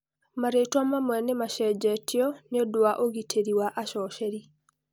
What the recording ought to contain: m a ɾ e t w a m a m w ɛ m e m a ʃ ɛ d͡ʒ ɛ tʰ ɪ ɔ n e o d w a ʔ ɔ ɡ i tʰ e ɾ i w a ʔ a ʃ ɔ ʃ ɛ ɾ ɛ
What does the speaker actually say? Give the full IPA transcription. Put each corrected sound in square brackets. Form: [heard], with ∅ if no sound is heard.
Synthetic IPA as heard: m a ɾ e t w a m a m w ɛ [n] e m a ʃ ɛ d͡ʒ ɛ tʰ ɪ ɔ n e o d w a ʔ [o] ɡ i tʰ e ɾ i w a ʔ a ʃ ɔ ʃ ɛ ɾ [i]

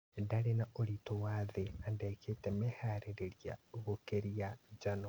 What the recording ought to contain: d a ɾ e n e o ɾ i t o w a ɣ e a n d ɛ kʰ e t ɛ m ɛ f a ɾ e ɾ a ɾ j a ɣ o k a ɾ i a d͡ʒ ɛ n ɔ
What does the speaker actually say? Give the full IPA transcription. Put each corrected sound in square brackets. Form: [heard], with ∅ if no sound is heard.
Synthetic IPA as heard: d a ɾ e n [a] o ɾ i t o w a [ð] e a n d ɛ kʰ e t ɛ m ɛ [h] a ɾ e ɾ [e] ɾ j a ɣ o k [e] ɾ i a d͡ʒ [a] n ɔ

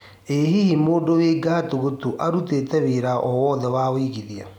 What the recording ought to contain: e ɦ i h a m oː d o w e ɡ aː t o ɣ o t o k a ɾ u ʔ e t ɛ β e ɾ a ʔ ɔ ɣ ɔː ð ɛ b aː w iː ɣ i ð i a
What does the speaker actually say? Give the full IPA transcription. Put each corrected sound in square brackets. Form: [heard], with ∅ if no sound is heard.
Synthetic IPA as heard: e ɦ i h [i] m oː d o w e ɡ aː t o ɣ o t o [ʔ] a ɾ u [t] e t ɛ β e ɾ a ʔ ɔ [w] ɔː ð ɛ [w] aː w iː ɣ i ð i a

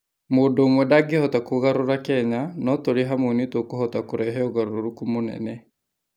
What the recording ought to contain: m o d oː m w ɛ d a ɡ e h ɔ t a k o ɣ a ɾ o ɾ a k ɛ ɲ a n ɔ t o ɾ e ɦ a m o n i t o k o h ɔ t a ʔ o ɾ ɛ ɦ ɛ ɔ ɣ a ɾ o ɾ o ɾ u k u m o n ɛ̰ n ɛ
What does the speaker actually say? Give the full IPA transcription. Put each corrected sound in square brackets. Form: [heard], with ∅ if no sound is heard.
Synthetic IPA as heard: m o d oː m w ɛ d a ɡ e h ɔ t a k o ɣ a ɾ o ɾ a k ɛ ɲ a n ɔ t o ɾ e ɦ a m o n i t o k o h ɔ t a [k] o ɾ ɛ ɦ ɛ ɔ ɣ a ɾ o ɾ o ɾ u k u m o n ɛ̰ n ɛ

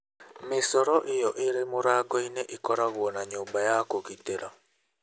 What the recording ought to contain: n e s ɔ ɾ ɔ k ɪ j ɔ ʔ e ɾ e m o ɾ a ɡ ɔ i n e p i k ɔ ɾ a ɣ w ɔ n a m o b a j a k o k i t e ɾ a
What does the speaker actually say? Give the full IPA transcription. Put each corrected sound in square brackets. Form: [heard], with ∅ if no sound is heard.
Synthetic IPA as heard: [m] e s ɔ ɾ ɔ [ʔ] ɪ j ɔ ʔ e ɾ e m o ɾ a ɡ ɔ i n e [ʔ] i k ɔ ɾ a ɣ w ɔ n a [ɲ] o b a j a k o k i t e ɾ a

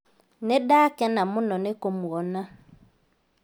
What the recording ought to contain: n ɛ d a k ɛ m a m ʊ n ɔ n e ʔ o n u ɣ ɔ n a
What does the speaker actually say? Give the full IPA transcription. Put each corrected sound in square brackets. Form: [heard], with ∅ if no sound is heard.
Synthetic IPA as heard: n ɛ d a k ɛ [n] a m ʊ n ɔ n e [k] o [m] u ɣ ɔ n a

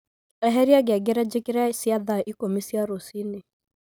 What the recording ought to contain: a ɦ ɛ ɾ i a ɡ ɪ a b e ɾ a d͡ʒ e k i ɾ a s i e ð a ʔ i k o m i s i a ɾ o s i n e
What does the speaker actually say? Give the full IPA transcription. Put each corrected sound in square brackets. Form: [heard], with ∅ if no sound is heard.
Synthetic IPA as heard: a ɦ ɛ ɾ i a ɡ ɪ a [ɡ] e ɾ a d͡ʒ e k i ɾ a s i [a] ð a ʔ i k o m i s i a ɾ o s i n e

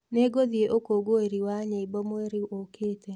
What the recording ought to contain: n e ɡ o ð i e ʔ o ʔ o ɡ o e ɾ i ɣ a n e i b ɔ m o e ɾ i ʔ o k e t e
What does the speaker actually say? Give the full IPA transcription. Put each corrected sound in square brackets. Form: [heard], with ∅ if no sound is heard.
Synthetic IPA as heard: n e ɡ o ð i e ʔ o [k] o ɡ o e ɾ i [w] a [ɲ] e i b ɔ m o e ɾ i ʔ o k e t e

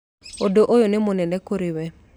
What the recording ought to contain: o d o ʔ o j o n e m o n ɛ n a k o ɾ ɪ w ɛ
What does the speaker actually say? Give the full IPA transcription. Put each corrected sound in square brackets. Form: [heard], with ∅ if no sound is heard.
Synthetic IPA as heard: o d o ʔ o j o n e m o n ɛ n [ɛ] k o ɾ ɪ w ɛ

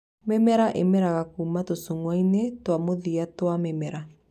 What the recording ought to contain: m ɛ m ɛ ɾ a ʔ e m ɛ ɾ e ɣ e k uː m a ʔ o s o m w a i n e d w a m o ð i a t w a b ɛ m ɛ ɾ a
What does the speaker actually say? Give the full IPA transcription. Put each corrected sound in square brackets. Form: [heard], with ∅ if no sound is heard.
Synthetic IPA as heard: m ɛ m ɛ ɾ a ʔ e m ɛ ɾ [a] ɣ [a] k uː m a [t] o s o [ŋ] w a i n e [t] w a m o ð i a t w a [m] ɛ m ɛ ɾ a

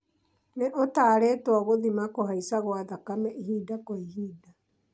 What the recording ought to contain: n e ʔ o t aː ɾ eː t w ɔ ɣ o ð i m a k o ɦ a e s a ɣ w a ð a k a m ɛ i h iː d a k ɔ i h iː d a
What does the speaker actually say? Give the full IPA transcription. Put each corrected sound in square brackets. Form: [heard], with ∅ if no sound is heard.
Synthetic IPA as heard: n e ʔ o t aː ɾ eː t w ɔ ɣ o ð i m a k o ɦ a [i] s a ɣ w a ð a k a m ɛ i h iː d a k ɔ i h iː d a

